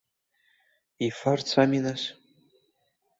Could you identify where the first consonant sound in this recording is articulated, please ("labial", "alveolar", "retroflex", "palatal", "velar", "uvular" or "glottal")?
labial